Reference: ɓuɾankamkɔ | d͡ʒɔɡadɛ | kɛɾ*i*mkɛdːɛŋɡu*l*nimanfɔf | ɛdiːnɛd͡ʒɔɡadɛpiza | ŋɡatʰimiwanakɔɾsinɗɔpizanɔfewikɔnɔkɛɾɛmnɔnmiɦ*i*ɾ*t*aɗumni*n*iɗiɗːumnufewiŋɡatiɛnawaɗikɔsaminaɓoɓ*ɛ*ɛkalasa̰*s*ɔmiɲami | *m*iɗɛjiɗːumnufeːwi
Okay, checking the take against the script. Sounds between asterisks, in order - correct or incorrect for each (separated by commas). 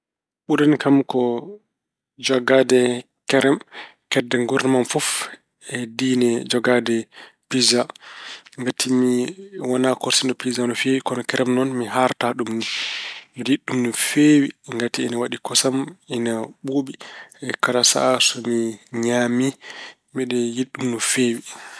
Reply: incorrect, incorrect, incorrect, correct, incorrect, incorrect, correct, correct